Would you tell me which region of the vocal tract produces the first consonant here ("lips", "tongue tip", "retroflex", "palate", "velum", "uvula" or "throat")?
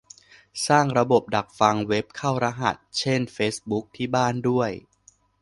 tongue tip